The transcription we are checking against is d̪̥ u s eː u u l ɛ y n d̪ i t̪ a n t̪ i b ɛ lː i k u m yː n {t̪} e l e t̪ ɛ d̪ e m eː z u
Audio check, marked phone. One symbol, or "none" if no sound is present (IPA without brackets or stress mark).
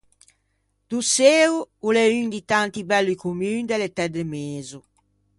d̪